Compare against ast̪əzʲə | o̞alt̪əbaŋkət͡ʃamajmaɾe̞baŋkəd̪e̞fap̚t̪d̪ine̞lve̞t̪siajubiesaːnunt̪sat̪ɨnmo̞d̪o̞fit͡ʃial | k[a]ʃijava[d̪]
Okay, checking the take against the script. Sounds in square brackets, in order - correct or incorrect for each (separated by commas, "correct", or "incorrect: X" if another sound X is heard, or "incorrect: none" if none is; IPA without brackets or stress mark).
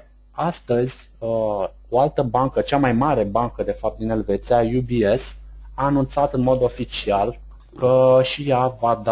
incorrect: ə, correct